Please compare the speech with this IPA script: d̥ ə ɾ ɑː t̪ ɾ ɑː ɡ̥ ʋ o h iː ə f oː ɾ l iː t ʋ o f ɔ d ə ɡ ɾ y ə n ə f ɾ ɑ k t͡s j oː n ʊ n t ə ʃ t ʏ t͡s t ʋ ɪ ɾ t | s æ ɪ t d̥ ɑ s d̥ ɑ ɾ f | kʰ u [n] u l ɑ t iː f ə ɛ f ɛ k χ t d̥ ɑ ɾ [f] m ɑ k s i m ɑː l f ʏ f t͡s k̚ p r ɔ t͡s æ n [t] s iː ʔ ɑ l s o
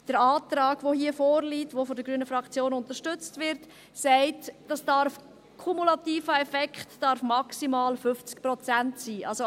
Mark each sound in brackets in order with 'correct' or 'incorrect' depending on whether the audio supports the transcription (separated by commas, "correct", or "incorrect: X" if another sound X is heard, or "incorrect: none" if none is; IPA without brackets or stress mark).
incorrect: m, correct, correct